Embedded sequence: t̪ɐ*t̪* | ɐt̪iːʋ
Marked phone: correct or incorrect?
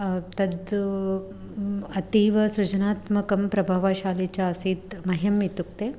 incorrect